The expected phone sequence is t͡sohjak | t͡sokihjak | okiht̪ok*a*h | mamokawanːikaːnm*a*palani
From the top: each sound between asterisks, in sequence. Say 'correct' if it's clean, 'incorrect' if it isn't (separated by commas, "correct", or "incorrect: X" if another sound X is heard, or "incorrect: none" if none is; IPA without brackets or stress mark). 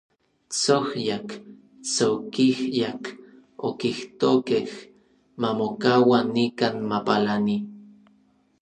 incorrect: e, correct